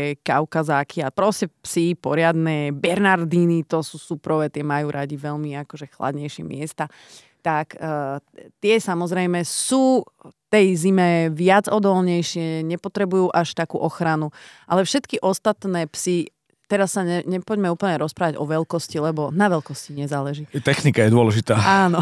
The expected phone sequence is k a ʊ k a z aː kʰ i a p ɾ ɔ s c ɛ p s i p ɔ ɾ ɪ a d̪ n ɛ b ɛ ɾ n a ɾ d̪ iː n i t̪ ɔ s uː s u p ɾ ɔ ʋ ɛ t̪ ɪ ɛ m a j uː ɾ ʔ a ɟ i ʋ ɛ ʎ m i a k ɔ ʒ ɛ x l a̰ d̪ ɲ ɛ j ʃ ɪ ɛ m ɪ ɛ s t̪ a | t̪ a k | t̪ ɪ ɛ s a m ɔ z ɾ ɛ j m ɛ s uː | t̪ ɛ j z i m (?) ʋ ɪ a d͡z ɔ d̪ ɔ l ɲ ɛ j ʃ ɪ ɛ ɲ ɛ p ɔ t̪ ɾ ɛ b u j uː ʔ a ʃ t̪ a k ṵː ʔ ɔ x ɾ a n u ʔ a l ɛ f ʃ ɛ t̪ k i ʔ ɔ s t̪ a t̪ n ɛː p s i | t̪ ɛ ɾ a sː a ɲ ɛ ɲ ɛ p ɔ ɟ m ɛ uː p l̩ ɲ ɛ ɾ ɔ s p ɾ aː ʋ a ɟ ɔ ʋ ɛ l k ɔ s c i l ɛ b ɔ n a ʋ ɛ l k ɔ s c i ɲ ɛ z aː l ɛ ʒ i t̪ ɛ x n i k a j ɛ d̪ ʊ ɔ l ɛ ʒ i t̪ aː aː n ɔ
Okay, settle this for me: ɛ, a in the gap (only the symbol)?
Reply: ɛ